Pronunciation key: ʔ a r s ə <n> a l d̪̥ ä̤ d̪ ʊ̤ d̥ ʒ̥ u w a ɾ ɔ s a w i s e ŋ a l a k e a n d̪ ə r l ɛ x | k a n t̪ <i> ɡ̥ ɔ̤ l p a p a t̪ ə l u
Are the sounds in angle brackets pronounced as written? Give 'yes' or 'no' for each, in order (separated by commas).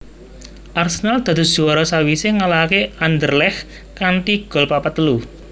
yes, yes